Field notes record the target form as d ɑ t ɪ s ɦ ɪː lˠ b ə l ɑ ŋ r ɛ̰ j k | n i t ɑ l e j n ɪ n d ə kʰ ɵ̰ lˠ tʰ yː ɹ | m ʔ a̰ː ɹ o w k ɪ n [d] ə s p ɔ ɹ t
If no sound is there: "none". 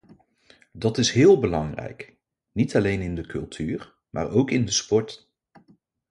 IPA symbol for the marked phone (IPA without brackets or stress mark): d